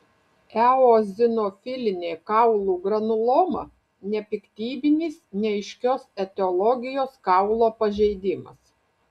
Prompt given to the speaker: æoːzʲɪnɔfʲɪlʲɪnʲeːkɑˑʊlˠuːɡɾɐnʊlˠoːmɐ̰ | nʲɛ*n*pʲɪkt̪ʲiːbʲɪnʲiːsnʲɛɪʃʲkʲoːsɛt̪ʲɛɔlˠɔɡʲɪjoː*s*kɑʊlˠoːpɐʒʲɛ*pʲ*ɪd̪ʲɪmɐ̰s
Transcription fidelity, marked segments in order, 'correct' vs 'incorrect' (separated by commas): incorrect, correct, incorrect